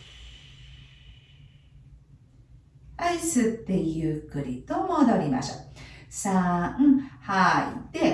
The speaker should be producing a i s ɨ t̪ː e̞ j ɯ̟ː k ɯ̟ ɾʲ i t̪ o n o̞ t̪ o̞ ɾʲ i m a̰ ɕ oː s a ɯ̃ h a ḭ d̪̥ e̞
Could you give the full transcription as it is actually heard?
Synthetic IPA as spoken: a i s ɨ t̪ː e̞ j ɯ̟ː k ɯ̟ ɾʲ i t̪ o m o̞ d̪ o̞ ɾʲ i m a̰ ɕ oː s a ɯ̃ h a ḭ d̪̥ e̞